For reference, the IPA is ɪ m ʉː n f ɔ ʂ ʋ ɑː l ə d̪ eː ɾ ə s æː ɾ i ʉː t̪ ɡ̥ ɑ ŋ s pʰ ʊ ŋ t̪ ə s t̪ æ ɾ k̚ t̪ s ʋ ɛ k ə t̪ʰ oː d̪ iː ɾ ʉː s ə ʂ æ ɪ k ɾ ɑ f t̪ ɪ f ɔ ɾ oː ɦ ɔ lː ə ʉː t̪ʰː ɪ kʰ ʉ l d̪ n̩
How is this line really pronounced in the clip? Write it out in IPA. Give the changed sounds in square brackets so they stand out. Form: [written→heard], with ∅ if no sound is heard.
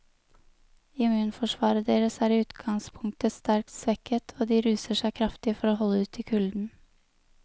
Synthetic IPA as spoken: ɪ m ʉː n f ɔ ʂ ʋ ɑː [l→ɾ] ə d̪ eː ɾ ə s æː ɾ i ʉː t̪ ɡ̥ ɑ ŋ s pʰ ʊ ŋ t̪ ə s t̪ æ ɾ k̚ t̪ s ʋ ɛ k ə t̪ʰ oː d̪ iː ɾ ʉː s ə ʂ æ ɪ [k→kʰ] ɾ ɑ f t̪ ɪ f ɔ ɾ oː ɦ ɔ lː ə ʉː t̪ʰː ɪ kʰ ʉ l d̪ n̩